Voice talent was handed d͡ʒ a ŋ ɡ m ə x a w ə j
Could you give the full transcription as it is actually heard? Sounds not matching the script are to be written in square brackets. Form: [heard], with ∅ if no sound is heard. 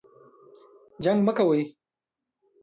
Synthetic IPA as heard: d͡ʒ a ŋ ɡ m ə [k] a w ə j